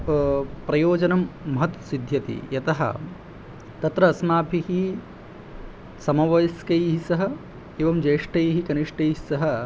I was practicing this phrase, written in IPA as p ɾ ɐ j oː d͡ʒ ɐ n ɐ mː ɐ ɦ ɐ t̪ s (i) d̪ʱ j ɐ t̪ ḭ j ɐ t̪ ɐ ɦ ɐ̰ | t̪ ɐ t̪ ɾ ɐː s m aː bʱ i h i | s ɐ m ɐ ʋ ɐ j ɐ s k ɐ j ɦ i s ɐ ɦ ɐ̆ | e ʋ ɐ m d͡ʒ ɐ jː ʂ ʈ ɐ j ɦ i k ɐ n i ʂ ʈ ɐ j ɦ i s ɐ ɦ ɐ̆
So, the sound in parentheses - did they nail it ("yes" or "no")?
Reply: yes